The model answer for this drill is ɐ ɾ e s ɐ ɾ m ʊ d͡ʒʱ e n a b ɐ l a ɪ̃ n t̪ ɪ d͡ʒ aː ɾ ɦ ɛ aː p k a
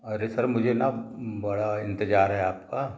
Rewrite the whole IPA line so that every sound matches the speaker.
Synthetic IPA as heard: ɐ ɾ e s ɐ ɾ m ʊ d͡ʒʱ e n a b ɐ ɽ a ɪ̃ n t̪ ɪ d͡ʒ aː ɾ ɦ ɛ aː p k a